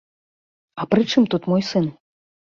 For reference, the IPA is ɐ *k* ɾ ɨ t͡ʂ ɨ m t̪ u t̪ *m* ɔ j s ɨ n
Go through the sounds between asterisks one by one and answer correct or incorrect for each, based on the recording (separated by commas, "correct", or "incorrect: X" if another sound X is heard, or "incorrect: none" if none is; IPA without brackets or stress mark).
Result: incorrect: p, correct